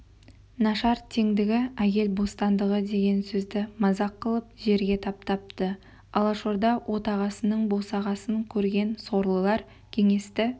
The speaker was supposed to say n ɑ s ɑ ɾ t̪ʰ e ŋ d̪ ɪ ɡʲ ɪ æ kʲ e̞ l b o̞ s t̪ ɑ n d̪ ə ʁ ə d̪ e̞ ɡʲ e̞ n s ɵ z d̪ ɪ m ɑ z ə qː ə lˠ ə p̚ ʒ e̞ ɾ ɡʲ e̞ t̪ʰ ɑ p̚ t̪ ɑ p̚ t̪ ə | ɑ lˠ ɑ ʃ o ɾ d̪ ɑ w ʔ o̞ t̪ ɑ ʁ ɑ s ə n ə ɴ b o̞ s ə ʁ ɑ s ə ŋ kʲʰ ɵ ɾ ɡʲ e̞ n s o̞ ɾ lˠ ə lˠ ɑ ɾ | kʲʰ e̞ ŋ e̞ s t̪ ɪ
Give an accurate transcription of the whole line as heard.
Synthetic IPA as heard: n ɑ ʃ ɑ ɾ t̪ʰ e ŋ d̪ ɪ ɡʲ ɪ æ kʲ e̞ l b o̞ s t̪ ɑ n d̪ ə ʁ ə d̪ e̞ ɡʲ e̞ n s ɵ z d̪ ɪ m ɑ z ɑ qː ə lˠ ə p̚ ʒ e̞ ɾ ɡʲ e̞ t̪ʰ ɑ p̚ t̪ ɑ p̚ t̪ ə | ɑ lˠ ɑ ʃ o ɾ d̪ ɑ w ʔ o̞ t̪ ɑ ʁ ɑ s ə n ə ɴ b o̞ s ɑ ʁ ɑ s ə ŋ kʲʰ ɵ ɾ ɡʲ e̞ n s o̞ ɾ lˠ ə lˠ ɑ ɾ | kʲʰ e̞ ŋ e̞ s t̪ ɪ